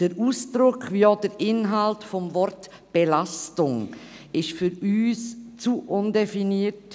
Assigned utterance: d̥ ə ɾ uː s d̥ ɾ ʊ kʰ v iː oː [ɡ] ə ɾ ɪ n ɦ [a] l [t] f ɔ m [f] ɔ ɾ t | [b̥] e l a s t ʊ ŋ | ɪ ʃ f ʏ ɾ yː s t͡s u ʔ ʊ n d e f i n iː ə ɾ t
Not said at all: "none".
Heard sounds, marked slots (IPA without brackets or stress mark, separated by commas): d, a, t, v, b̥